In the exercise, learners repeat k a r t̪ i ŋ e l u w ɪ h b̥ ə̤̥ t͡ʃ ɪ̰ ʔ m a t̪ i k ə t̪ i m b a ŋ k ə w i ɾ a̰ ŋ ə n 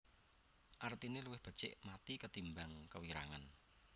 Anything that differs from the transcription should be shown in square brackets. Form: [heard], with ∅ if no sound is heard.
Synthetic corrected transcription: [ʔ] a r t̪ i [n] e l u w ɪ h b̥ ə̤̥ t͡ʃ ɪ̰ ʔ m a t̪ i k ə t̪ i m b a ŋ k ə w i ɾ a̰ ŋ [a] n